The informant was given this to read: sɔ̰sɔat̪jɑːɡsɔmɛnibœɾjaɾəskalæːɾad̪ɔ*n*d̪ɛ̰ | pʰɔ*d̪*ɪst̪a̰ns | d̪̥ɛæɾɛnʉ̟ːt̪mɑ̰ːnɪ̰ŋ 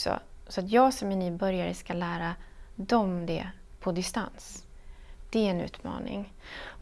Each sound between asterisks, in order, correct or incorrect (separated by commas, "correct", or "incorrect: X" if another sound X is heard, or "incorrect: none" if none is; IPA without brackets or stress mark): incorrect: m, correct